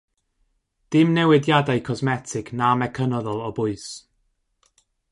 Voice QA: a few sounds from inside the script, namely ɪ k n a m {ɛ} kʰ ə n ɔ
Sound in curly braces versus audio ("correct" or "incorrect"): correct